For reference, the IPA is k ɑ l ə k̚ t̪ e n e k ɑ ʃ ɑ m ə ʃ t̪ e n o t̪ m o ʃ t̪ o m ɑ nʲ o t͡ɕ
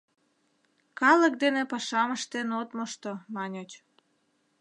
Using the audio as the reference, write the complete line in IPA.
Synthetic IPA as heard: k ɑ l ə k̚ d̪ e n e p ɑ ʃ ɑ m ə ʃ t̪ e n o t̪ m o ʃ t̪ o m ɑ nʲ o t͡ɕ